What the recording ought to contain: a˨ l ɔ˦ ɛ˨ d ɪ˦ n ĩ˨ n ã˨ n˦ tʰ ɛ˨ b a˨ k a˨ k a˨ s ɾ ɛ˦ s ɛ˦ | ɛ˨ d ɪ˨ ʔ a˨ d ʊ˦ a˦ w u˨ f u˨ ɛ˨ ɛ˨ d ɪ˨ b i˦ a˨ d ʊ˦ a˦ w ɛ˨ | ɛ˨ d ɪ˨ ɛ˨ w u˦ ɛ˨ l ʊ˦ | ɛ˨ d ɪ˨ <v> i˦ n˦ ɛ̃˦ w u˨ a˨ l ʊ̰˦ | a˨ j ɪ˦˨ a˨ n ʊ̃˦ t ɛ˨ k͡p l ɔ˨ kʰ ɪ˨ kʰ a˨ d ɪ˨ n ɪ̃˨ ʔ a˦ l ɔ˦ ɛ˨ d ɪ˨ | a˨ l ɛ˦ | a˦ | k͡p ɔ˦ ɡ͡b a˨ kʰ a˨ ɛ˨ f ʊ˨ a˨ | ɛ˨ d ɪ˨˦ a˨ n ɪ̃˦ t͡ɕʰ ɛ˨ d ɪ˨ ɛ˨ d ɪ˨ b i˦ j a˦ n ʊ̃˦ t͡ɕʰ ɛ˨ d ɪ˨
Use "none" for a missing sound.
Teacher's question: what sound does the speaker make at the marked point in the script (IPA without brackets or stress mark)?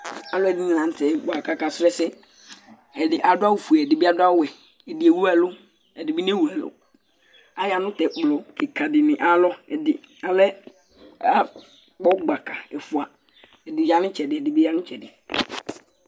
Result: b